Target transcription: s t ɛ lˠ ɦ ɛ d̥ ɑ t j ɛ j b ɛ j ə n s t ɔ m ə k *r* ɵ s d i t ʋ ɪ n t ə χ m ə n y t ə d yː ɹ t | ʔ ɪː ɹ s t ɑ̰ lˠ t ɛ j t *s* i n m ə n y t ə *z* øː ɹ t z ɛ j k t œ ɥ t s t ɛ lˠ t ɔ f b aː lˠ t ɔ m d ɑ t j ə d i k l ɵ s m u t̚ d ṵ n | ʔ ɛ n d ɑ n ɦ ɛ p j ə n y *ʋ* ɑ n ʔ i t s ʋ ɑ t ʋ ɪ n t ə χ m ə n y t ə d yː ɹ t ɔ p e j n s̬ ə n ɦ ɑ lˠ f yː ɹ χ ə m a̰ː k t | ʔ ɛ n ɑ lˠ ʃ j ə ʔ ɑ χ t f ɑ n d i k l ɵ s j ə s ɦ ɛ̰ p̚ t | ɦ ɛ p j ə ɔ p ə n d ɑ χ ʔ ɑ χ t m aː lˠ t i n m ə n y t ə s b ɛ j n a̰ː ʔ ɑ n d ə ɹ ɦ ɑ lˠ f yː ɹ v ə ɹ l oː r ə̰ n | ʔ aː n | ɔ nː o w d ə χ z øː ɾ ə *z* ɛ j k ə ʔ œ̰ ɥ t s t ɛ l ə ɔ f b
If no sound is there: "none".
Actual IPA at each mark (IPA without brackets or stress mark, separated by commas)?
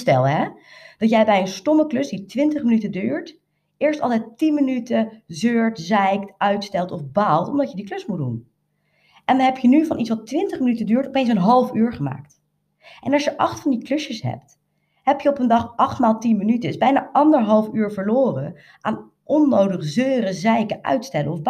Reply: l, t, z, v, z